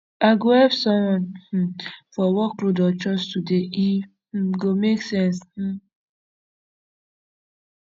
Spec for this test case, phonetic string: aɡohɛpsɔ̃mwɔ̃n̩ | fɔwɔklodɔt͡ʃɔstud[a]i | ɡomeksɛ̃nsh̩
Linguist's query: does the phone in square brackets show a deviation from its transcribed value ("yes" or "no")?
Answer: yes